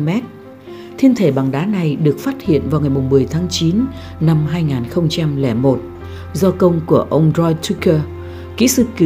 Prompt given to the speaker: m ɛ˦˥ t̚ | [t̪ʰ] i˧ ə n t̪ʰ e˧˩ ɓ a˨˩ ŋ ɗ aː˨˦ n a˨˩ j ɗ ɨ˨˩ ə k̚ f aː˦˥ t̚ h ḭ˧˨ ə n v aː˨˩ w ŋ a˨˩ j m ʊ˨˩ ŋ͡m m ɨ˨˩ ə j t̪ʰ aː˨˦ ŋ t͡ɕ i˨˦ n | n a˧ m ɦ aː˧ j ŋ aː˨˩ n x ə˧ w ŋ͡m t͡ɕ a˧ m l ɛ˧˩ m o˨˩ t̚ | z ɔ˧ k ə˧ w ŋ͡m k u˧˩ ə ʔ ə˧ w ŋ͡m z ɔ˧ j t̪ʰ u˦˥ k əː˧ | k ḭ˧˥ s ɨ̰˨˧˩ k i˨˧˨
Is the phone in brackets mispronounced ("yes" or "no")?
no